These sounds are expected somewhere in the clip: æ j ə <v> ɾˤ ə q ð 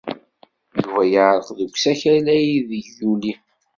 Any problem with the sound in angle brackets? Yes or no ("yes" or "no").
yes